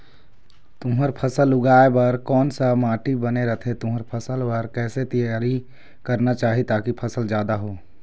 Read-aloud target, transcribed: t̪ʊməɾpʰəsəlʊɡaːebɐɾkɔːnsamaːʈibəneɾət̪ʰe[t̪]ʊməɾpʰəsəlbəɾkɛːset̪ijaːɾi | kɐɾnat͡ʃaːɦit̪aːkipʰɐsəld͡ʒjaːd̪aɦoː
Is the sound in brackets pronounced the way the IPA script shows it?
yes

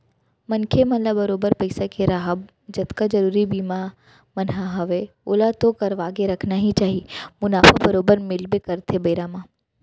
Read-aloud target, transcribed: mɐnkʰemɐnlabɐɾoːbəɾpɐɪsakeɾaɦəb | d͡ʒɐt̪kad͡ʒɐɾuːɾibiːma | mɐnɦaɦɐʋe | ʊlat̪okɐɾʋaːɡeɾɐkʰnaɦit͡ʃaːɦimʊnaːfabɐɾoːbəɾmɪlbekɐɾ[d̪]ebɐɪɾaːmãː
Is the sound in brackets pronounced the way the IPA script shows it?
no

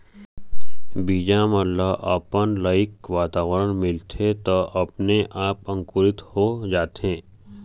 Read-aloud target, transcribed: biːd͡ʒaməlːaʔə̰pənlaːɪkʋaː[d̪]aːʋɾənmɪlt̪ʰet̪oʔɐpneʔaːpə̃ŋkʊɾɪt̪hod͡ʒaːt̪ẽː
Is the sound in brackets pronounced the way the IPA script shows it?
no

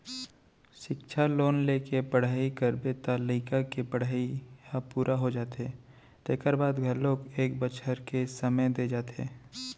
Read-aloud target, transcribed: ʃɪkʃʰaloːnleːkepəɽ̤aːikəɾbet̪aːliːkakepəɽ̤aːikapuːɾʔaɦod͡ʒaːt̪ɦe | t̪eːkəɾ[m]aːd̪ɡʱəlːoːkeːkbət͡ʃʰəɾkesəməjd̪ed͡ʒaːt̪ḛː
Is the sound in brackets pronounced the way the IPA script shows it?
no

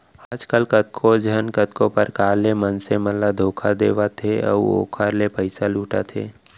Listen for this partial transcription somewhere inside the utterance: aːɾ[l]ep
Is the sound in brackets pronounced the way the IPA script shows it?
yes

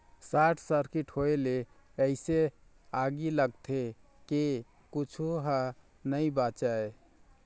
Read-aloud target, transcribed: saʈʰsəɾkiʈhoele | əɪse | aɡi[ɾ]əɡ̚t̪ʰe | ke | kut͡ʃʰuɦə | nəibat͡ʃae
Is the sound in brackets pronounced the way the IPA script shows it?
no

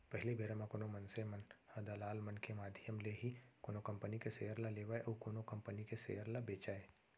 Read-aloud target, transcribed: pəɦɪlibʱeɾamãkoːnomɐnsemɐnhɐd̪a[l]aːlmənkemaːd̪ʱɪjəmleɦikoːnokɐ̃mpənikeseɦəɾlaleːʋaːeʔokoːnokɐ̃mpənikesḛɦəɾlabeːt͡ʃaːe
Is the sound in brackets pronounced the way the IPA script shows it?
yes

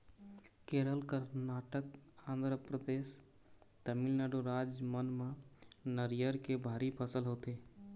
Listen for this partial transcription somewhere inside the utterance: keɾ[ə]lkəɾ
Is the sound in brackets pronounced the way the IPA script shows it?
yes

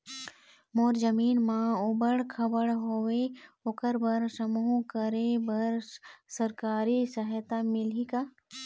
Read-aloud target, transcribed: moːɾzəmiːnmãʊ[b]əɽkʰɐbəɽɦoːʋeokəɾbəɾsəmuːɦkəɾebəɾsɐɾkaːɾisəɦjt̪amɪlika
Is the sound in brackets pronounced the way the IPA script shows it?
yes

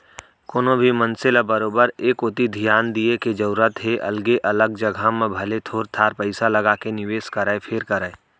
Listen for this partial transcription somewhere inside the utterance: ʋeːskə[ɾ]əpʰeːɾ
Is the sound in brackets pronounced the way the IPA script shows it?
yes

